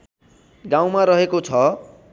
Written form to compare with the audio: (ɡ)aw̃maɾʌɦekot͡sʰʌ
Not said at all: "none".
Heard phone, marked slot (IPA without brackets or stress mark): ɡ